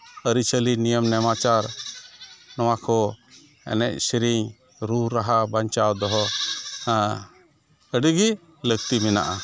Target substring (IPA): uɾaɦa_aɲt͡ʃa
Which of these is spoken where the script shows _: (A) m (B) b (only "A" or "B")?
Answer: B